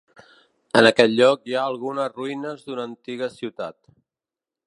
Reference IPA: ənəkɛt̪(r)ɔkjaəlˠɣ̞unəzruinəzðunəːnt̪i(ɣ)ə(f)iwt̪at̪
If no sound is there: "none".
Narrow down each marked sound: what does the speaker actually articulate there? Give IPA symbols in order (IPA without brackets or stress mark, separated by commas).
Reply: ʎ, ɣ, s